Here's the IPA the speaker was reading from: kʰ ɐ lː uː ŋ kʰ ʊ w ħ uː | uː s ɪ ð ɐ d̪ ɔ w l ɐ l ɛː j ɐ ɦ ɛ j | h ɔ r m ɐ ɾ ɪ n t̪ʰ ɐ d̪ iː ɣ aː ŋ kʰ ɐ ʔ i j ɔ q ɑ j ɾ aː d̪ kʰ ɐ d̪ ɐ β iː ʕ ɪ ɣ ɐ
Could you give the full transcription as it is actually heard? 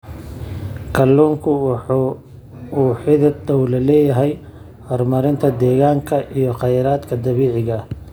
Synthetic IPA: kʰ ɐ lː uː ŋ kʰ ʊ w ħ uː | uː ħ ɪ ð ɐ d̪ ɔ w l ɐ l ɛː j ɐ ɦ ɛ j | h ɔ r m ɐ ɾ ɪ n t̪ʰ ɐ d̪ ɛː ɣ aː ŋ kʰ ɐ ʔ i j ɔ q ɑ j ɾ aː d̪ kʰ ɐ d̪ ɐ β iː ʕ ɪ ɣ ɐ

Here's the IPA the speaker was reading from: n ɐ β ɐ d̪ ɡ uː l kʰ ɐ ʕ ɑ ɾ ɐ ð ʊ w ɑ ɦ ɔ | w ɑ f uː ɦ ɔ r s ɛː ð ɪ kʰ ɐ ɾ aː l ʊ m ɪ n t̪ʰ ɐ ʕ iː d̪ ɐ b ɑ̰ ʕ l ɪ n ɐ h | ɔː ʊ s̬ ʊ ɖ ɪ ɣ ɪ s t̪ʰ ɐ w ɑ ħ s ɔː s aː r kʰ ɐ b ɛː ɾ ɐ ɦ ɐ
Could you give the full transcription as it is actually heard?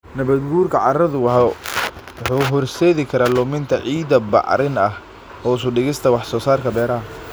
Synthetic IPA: n ɐ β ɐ d̪ ɡ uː r kʰ ɐ ʕ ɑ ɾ ɐ ð ʊ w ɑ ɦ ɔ | w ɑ ħ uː ɦ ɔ r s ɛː ð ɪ kʰ ɐ ɾ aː l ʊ m ɪ n t̪ʰ ɐ ʕ iː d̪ ɐ b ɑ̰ ʕ ɾ ɪ n ɐ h | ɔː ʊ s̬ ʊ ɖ ɪ ɣ ɪ s t̪ʰ ɐ w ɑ ħ s ɔː s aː r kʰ ɐ b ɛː ɾ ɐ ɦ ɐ

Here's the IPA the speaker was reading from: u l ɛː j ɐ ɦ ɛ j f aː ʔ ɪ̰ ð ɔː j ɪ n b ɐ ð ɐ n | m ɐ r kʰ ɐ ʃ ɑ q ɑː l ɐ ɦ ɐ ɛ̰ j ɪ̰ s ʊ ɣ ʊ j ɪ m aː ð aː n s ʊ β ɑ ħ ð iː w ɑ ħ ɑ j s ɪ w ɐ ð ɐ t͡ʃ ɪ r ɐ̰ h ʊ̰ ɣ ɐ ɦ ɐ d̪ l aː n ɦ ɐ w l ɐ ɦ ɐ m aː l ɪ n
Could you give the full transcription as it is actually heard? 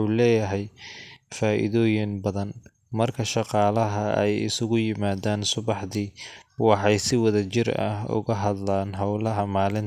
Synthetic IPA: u l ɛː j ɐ ɦ ɛ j f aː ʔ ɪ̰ ð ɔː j ɪ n b ɐ ð ɐ n | m ɐ r kʰ ɐ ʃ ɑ q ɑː l ɐ ɦ ɐ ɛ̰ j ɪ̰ s ʊ ɣ ʊ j ɪ m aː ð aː n s ʊ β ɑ ħ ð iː w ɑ ħ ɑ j s ɪ w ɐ ð ɐ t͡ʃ ɪ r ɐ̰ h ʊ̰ ɣ ɐ ɦ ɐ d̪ l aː n ɦ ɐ w l ɐ ɦ ɐ m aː l ɪ n

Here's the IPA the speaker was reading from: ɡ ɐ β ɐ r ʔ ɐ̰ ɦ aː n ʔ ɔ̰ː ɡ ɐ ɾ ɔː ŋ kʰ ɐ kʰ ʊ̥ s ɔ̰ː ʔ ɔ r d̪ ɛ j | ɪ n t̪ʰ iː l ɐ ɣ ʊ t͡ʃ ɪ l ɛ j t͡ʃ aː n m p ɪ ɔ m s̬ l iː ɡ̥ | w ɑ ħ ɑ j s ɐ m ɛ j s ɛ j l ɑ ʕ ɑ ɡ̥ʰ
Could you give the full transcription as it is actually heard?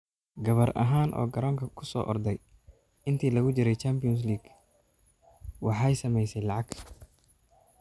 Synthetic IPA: ɡ ɐ β ɐ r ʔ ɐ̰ ɦ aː n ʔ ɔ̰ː ɡ ɐ ɾ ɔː ŋ kʰ ɐ kʰ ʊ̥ s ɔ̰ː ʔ ɔ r d̪ ɛ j | ɪ n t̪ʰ iː l ɐ ɣ ʊ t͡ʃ ɪ ɾ ɛ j t͡ʃ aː m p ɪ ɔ n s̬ l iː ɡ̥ | w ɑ ħ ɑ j s ɐ m ɛ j s ɛ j l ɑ ʕ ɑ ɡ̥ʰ

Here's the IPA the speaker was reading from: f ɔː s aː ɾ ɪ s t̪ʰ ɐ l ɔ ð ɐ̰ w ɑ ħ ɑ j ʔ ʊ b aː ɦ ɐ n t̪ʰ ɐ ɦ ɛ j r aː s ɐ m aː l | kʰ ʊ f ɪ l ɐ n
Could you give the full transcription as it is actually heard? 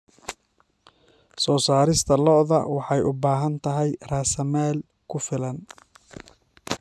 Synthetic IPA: s ɔː s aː ɾ ɪ s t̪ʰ ɐ l ɔ ð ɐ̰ w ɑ ħ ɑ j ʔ ʊ b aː ɦ ɐ n t̪ʰ ɐ ɦ ɛ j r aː s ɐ m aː l | kʰ ʊ f ɪ l ɐ n

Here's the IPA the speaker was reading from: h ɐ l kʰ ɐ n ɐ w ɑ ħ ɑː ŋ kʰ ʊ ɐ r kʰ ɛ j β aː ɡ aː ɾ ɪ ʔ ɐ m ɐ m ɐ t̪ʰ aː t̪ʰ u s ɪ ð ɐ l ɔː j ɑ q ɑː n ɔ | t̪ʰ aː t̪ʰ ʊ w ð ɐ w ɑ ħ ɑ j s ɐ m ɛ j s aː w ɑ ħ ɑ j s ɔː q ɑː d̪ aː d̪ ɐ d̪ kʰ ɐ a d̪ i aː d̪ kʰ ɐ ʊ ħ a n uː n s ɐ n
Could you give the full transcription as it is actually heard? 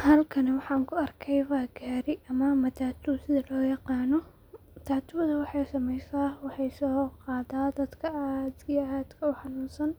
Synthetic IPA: h ɐ l kʰ ɐ n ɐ w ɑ ħ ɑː ŋ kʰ ʊ ɐ r kʰ ɛ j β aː ɡ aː ɾ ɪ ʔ ɐ m ɐ m ɐ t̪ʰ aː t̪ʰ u s ɪ ð ɐ l ɔː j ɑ q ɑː n ɔ | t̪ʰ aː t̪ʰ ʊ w ð ɐ w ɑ ħ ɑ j s ɐ m ɛ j s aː w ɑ ħ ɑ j s ɔː q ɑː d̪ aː d̪ ɐ d̪ kʰ ɐ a d̪ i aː d̪ kʰ ɐ ʊ ħ ɑ n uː n s ɐ n

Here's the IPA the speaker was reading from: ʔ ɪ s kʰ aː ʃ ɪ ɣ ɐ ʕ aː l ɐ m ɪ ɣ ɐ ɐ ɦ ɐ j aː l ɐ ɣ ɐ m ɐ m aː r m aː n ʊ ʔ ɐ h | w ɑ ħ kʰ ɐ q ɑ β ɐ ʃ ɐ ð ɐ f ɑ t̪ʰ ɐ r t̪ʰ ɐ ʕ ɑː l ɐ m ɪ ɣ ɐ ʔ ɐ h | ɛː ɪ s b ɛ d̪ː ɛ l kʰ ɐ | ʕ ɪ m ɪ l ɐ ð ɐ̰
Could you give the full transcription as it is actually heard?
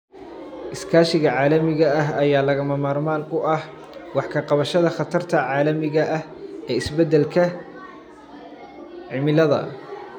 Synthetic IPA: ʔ ɪ s kʰ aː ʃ ɪ ɣ ɐ ʕ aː l ɐ m ɪ ɣ ɐ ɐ ɦ ɐ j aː l ɐ ɣ ɐ m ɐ m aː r m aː n ʊ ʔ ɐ h | w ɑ ħ kʰ ɐ q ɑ β ɐ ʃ ɐ ð ɐ χ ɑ t̪ʰ ɐ r t̪ʰ ɐ ʕ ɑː l ɐ m ɪ ɣ ɐ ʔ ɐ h | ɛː ɪ s b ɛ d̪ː ɛ l kʰ ɐ | ʕ ɪ m ɪ l ɐ ð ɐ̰

